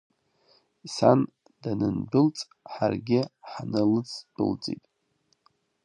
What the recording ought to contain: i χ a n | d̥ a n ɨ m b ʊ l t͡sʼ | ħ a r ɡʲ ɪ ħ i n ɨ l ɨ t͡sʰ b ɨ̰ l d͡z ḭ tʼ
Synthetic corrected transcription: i s a n | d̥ a n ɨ n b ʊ l t͡sʼ | ħ a r ɡʲ ɪ ħ a n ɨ l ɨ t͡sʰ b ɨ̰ l d͡z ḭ tʼ